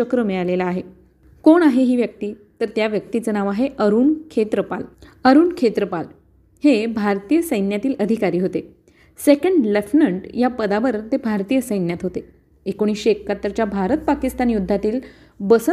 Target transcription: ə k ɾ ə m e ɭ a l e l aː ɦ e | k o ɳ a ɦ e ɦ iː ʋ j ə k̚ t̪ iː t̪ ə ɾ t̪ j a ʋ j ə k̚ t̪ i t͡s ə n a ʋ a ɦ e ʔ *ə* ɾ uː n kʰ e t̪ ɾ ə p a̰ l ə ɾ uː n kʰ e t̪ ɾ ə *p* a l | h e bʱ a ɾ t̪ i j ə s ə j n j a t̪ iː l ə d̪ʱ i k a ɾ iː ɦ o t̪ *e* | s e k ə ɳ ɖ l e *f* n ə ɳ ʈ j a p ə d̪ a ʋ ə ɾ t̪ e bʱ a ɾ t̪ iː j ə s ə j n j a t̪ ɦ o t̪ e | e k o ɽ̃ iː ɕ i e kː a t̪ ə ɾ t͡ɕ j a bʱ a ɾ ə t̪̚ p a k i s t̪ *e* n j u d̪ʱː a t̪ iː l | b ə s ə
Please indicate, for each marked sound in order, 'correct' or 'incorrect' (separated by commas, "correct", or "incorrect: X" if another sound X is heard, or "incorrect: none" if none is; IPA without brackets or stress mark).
correct, correct, correct, correct, incorrect: a